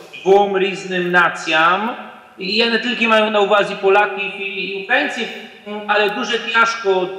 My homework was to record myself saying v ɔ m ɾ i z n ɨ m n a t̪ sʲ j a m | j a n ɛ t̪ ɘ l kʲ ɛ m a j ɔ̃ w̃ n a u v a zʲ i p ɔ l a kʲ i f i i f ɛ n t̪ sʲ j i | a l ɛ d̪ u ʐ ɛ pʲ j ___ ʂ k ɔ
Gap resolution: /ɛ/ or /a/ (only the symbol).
a